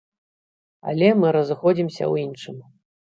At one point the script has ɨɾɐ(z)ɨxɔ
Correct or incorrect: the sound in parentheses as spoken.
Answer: correct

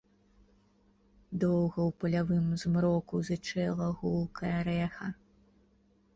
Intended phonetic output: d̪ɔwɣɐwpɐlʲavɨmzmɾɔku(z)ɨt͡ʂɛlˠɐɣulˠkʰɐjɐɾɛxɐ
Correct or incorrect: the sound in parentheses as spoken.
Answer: correct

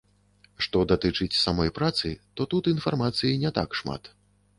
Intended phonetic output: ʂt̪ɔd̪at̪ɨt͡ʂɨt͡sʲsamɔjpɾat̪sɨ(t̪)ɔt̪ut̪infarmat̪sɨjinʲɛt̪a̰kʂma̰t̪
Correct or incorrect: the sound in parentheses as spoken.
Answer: correct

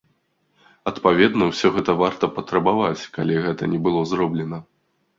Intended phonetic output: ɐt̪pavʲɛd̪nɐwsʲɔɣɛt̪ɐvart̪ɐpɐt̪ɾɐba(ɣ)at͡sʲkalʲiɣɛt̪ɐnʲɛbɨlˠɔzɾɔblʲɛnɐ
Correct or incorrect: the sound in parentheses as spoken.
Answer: incorrect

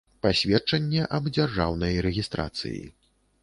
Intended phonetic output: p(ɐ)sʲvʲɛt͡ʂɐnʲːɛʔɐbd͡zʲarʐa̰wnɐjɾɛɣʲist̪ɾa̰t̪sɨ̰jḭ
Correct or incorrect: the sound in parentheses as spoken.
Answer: incorrect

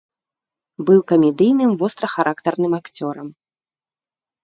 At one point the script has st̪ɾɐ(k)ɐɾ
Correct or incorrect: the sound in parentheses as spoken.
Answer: incorrect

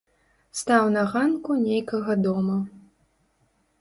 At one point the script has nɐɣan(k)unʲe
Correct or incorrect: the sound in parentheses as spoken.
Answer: correct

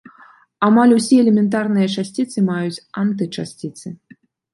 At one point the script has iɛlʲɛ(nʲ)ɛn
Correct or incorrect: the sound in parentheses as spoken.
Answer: incorrect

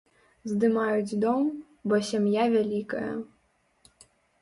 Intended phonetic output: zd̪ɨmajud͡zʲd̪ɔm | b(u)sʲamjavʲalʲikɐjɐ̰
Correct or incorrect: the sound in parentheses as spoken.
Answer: incorrect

